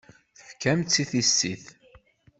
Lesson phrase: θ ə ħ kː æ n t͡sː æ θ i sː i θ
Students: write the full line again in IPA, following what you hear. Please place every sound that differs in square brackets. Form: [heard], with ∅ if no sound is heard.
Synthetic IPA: θ ə [f] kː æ [m] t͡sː [i] θ i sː i θ